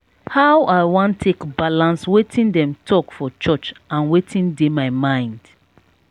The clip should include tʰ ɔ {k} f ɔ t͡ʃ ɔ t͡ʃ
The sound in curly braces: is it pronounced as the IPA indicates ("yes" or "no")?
yes